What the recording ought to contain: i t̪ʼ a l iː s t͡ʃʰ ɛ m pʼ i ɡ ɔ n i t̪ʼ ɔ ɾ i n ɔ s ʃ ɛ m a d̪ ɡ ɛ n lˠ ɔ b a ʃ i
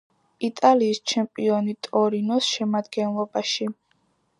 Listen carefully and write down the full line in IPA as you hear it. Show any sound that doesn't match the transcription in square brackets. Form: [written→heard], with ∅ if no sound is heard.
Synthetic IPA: i t̪ʼ a l iː s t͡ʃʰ ɛ m pʼ i [ɡ→∅] ɔ n i t̪ʼ ɔ ɾ i n ɔ s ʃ ɛ m a d̪ ɡ ɛ n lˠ ɔ b a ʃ i